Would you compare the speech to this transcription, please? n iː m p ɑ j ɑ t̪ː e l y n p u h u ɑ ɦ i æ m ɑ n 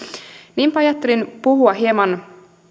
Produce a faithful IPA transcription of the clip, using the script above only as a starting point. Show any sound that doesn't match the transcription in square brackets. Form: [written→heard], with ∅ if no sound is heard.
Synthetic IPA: n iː m p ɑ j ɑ t̪ː e l [y→i] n p u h u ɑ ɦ i [æ→e] m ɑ n